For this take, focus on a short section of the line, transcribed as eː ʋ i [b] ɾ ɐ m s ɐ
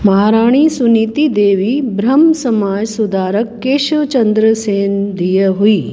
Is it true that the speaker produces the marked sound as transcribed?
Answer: yes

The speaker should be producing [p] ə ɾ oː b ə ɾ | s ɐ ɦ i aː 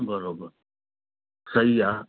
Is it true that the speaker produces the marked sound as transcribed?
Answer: no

